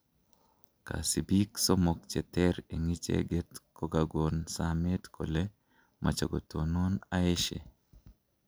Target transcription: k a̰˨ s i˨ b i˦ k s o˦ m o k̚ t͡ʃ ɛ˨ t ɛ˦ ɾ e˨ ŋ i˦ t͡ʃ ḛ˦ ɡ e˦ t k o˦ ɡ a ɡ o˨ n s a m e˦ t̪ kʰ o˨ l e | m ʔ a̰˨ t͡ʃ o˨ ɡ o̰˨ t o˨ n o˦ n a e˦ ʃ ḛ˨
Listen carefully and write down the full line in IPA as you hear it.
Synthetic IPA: k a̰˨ s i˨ b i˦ k s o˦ m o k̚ t͡ʃ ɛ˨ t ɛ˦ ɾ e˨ ŋ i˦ t͡ʃ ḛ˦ ɡ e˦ t k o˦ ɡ a ɡ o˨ n s a m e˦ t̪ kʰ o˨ l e | m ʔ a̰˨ t͡ʃ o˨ ɡ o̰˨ t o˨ n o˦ n a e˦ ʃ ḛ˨